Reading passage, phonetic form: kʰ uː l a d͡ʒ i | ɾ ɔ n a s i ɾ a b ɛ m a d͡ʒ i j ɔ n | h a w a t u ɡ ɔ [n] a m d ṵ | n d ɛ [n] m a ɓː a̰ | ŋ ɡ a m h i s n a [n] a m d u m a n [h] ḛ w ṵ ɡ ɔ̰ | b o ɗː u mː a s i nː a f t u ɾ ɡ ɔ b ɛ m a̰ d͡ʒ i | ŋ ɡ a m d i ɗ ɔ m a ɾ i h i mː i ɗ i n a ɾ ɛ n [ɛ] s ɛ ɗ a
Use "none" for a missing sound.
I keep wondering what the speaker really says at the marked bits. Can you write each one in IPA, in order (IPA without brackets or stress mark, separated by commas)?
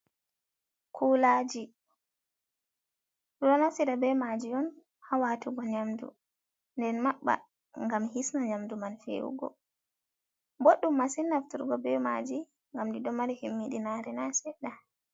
ɲ, n, ɲ, f, a